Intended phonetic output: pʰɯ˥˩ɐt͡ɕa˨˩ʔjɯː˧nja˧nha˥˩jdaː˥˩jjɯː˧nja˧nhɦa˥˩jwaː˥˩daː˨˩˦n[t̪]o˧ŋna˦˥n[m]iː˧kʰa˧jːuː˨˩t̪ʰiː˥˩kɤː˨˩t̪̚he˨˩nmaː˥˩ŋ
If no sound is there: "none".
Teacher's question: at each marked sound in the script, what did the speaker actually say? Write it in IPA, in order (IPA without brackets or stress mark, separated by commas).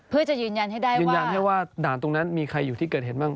t̪, m